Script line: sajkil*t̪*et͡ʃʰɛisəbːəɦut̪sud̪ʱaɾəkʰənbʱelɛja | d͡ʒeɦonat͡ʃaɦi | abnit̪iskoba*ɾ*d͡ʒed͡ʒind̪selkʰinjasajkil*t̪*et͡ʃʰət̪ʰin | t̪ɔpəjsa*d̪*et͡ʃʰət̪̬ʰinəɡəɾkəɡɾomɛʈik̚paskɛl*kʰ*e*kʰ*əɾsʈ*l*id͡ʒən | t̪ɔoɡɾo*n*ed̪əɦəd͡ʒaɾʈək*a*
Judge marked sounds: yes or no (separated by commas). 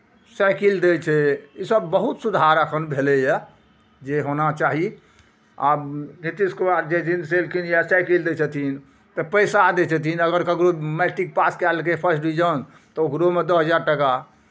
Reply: no, yes, no, yes, no, no, no, no, yes